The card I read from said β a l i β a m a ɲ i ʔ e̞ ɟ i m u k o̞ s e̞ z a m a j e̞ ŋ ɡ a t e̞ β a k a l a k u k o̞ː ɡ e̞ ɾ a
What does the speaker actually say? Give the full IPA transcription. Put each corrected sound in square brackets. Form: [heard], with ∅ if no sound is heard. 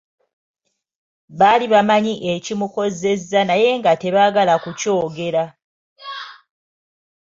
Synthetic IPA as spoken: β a l i β a m a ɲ i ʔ e̞ [c] i m u k o̞ [z] e̞ z a [n] a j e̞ ŋ ɡ a t e̞ β a [ɡ] a l a k u [c] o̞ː ɡ e̞ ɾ a